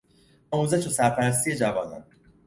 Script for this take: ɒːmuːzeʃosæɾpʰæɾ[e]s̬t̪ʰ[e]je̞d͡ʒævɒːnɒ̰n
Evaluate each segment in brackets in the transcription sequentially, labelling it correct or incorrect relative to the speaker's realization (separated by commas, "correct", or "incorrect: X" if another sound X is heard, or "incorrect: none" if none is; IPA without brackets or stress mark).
incorrect: æ, incorrect: i